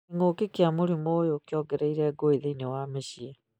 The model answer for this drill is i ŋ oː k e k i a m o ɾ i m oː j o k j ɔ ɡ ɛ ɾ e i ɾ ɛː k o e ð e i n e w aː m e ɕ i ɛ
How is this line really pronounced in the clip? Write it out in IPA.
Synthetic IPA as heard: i ŋ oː k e k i a m o ɾ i m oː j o k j ɔ ɡ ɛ ɾ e i ɾ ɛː ɡ o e ð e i n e w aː m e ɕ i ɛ